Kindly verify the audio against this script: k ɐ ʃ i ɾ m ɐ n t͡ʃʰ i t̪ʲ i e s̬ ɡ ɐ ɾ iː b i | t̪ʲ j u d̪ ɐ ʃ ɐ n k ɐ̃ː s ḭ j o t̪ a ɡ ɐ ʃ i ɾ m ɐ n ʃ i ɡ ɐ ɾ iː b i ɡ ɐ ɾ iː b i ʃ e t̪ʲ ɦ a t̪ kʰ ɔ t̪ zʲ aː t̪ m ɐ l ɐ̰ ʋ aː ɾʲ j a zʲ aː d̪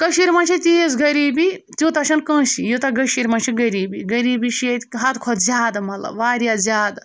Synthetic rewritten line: k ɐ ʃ i ɾ m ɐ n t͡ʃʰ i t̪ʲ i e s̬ ɡ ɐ ɾ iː b i | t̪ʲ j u t̪ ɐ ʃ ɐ n k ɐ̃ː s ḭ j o t̪ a ɡ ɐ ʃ i ɾ m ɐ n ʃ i ɡ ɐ ɾ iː b i ɡ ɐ ɾ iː b i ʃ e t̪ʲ ɦ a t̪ kʰ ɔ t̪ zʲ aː d̪ m ɐ l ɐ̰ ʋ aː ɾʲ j a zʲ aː d̪